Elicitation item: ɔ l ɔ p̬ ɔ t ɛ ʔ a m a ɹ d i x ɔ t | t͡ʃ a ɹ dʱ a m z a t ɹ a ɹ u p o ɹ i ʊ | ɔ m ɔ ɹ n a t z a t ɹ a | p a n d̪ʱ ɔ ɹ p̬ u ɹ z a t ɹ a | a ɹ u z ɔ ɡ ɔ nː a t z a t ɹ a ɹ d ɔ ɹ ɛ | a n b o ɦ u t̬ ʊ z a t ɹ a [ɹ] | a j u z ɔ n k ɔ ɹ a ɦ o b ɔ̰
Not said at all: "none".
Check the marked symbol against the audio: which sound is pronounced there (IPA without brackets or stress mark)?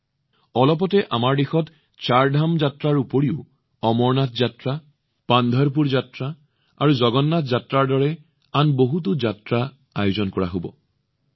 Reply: none